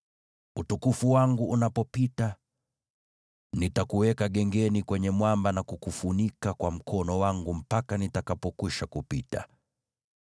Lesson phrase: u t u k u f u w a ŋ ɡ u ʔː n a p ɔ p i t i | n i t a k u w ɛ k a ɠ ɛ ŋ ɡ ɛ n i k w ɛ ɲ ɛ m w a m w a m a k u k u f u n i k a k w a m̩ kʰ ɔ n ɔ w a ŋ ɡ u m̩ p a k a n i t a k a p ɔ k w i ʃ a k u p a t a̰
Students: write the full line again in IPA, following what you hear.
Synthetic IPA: u t u k u f u w a ŋ ɡ u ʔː n a p ɔ p i t a | n i t a k u w ɛ k a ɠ ɛ ŋ ɡ ɛ n i k w ɛ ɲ ɛ m w a m b a n a k u k u f u n i k a k w a m̩ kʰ ɔ n ɔ w a ŋ ɡ u m̩ p a k a n i t a k a p ɔ k w i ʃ a k u p i t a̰